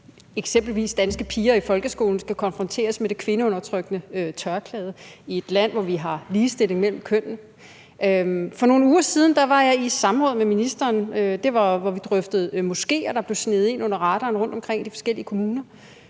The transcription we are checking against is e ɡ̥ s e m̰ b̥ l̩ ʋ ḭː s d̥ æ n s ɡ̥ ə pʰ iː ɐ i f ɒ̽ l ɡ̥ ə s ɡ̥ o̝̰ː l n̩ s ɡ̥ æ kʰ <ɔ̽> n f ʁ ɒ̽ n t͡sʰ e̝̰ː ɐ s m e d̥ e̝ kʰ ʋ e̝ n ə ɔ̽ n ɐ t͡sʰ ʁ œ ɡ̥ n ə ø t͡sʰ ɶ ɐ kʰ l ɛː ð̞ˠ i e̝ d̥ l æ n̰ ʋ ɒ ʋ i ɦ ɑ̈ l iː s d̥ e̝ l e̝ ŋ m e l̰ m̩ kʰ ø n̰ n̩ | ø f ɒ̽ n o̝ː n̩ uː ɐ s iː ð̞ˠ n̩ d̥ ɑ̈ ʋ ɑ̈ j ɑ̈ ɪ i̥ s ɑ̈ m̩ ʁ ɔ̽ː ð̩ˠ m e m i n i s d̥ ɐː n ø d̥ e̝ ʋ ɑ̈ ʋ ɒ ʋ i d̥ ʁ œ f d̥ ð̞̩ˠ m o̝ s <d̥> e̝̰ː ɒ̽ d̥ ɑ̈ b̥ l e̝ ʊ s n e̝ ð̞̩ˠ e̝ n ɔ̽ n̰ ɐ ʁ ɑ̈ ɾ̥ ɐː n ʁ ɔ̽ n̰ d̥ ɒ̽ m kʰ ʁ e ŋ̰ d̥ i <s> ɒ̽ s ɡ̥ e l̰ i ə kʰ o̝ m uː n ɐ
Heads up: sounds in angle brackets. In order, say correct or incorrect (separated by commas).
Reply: incorrect, incorrect, incorrect